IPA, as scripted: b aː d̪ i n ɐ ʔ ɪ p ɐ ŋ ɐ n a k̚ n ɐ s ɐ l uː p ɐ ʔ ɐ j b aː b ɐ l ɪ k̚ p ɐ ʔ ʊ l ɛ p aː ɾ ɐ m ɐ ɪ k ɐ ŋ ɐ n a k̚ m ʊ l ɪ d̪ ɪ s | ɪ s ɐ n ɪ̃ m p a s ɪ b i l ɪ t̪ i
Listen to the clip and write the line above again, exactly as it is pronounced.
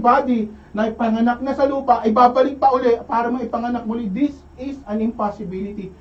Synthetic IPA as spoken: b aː d̪ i n ɐ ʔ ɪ p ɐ ŋ ɐ n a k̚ n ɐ s ɐ l uː p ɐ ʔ ɐ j b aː b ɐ l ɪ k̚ p ɐ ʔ ʊ l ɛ p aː ɾ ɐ m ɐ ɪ p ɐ ŋ ɐ n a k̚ m ʊ l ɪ d̪ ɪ s | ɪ s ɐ n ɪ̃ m p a s ɪ b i l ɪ t̪ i